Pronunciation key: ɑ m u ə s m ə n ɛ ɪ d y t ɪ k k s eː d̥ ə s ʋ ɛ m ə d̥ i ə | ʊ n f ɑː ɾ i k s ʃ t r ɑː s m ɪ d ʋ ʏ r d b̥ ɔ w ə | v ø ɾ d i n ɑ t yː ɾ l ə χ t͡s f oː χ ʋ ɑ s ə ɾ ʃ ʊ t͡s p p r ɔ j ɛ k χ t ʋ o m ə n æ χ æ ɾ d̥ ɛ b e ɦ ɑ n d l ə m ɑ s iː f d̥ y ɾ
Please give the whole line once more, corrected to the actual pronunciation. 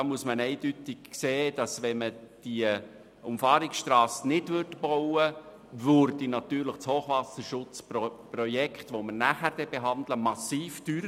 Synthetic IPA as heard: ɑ m u ə s m ə n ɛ ɪ d y t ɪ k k s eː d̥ ɑ s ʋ ɛ m ə d̥ i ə | ʊ m f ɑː ɾ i k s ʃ t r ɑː s n ɪ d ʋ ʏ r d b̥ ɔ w ə | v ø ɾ d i n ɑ t yː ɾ l ə χ t͡s h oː χ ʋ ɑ s ə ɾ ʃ ʊ t͡s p p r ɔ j ɛ k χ t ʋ o m ə n æ χ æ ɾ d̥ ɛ b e ɦ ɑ n d l ə m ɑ s iː f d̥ y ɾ